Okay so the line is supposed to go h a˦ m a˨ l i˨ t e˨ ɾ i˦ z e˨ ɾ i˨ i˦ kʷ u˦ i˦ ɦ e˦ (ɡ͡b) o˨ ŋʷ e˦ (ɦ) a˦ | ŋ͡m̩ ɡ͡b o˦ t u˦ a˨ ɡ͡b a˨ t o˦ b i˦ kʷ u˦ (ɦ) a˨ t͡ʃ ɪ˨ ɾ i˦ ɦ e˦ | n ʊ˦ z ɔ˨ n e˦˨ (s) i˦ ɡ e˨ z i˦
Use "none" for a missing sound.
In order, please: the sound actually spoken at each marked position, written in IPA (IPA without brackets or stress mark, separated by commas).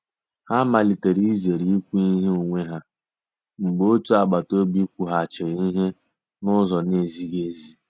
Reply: none, ɦ, ɦ, z